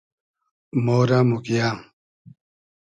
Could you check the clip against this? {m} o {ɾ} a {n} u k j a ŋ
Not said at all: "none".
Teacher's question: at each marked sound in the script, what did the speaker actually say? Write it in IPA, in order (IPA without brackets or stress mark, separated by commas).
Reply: m, ɾ, m